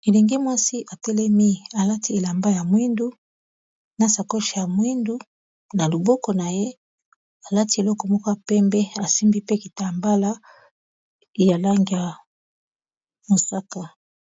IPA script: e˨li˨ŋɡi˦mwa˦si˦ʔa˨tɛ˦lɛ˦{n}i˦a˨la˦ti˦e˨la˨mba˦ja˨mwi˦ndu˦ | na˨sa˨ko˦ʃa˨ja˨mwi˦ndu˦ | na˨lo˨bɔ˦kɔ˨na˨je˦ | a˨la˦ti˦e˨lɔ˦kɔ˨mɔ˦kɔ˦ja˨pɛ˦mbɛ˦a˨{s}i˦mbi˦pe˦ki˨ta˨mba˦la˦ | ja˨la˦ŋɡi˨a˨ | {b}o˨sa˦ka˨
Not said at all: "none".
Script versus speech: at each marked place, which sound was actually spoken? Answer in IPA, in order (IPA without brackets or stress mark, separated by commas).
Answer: m, s, m